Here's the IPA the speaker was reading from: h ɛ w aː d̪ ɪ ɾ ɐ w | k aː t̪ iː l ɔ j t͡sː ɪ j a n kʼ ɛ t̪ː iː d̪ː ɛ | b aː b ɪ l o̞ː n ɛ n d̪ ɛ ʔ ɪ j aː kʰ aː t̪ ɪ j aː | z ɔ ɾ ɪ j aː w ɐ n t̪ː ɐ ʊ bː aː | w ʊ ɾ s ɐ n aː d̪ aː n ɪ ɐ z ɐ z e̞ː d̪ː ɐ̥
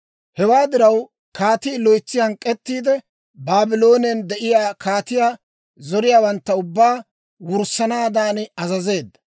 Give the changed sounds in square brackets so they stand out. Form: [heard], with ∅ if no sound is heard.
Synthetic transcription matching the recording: h ɛ w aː d̪ ɪ ɾ ɐ w | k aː t̪ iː l ɔ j t͡sː ɪ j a n kʼ ɛ t̪ː iː [d̪] ɛ | b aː b ɪ l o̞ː n ɛ n d̪ ɛ ʔ ɪ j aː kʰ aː t̪ ɪ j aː | z ɔ ɾ ɪ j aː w ɐ n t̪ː ɐ ʊ bː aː | w ʊ ɾ s ɐ n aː d̪ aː n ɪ ɐ z ɐ z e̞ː d̪ː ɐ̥